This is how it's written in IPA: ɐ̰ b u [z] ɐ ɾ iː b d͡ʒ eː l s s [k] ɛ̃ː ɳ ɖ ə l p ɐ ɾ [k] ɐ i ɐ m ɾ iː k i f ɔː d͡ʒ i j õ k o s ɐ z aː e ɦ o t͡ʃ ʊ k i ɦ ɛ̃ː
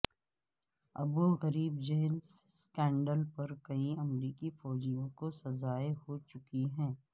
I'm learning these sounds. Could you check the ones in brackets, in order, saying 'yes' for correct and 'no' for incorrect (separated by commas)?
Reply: no, yes, yes